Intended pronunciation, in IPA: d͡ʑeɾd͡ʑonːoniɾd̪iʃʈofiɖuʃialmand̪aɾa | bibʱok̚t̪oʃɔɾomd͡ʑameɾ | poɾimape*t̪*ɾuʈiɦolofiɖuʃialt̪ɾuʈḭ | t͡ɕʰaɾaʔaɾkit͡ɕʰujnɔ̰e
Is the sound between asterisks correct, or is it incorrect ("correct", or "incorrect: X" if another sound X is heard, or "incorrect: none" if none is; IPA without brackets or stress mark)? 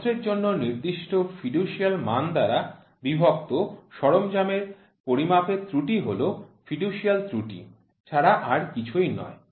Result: correct